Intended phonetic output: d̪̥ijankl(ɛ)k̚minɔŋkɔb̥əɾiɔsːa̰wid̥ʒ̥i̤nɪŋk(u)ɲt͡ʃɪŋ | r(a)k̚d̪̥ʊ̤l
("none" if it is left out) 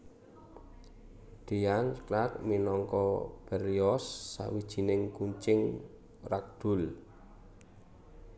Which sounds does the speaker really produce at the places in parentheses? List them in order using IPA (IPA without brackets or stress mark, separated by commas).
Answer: a, u, a